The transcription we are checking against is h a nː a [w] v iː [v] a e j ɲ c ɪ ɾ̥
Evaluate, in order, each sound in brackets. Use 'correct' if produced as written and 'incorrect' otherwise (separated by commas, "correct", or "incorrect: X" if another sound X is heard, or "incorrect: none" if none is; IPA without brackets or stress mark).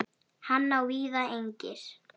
correct, incorrect: ð